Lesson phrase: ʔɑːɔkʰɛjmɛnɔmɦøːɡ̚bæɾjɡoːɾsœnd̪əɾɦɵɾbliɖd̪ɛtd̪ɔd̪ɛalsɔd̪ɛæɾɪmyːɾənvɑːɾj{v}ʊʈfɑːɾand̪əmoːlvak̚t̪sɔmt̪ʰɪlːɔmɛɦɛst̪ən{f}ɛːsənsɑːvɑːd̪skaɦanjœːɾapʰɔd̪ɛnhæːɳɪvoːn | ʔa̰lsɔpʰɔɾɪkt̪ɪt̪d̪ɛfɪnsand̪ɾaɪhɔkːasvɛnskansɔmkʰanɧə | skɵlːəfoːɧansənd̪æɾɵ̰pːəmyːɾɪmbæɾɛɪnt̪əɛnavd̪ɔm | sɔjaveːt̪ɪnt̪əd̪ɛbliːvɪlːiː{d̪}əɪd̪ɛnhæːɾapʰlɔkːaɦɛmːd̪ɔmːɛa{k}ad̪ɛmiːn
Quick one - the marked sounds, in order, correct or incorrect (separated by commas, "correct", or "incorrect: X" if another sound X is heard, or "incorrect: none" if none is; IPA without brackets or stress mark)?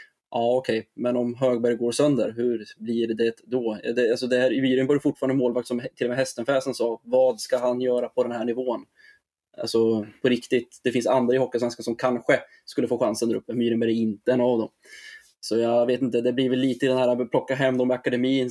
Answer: incorrect: f, correct, incorrect: t̪, correct